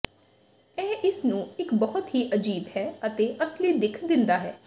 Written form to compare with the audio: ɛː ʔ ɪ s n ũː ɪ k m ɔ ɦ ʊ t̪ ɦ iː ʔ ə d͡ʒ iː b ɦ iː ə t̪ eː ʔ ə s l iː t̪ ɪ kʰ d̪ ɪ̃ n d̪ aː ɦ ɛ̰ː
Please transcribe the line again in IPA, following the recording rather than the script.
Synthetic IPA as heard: ɛː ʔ ɪ s n ũː ɪ k b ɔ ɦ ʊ t̪ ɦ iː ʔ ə d͡ʒ iː b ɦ ɛː ə t̪ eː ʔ ə s l iː d̪ ɪ kʰ d̪ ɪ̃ n d̪ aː ɦ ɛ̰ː